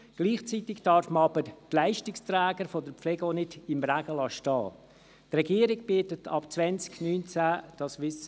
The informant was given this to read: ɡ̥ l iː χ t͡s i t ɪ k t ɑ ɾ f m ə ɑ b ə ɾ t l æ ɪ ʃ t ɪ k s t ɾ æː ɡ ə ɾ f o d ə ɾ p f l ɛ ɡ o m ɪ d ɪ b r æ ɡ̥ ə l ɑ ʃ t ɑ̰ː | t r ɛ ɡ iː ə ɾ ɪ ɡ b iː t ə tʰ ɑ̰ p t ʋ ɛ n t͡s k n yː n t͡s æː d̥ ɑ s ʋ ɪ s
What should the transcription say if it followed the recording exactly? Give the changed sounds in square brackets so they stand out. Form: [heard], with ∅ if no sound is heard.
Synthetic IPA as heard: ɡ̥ l iː χ t͡s i t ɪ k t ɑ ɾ f m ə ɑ b ə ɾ t l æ ɪ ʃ t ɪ k s t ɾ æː ɡ ə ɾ f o d ə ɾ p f l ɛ ɡ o [n] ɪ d ɪ [m] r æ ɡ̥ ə l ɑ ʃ t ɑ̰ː | t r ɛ ɡ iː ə ɾ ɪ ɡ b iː t ə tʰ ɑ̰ p [t͡s] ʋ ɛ n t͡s k n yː n t͡s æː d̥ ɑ s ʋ ɪ s